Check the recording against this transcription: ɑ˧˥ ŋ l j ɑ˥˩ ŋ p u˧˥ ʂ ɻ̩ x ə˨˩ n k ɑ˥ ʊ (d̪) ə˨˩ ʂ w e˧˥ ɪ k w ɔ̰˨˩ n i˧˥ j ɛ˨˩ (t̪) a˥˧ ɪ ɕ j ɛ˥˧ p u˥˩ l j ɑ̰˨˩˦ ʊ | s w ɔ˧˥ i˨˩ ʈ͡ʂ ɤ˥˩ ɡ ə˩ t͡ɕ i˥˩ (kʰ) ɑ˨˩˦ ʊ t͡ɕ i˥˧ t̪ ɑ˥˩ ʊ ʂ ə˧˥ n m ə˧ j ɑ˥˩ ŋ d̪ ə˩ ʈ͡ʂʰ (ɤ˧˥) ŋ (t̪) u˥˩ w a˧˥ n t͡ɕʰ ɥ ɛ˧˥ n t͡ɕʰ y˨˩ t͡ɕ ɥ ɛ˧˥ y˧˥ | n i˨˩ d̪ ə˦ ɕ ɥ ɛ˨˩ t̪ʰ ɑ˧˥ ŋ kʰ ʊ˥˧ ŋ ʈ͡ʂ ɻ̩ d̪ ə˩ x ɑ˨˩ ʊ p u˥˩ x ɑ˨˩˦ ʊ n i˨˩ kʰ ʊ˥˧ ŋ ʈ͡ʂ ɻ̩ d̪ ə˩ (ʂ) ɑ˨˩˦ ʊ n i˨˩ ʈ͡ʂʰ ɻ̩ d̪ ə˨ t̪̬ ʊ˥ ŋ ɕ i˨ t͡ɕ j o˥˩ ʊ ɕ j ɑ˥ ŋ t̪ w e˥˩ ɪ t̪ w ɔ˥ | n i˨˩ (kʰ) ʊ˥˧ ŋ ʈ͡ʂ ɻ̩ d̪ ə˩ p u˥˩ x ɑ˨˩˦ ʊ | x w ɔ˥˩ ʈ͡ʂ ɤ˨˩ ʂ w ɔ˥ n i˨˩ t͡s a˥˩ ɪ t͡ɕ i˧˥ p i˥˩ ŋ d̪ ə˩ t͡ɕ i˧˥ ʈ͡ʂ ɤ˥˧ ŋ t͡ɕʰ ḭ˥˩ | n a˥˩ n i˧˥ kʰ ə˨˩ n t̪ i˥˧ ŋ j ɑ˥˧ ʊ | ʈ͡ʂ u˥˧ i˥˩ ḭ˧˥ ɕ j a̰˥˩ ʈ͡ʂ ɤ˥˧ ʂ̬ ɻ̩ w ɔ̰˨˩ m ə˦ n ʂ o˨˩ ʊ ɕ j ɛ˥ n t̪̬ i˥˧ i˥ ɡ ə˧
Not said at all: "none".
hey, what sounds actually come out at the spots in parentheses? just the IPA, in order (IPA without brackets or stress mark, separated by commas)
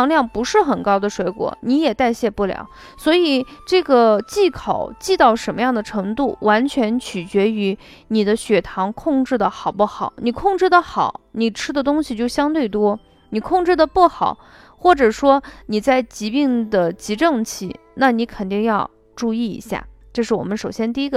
d̪, t̪, kʰ, ɤ˧˥, t̪, x, kʰ